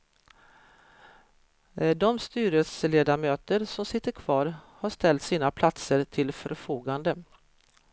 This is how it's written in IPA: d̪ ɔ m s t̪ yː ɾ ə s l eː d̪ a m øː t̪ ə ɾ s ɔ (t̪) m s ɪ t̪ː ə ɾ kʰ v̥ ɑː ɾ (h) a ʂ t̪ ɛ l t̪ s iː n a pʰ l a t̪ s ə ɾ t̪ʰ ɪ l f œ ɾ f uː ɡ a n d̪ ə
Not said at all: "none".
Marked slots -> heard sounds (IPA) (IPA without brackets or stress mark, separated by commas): none, h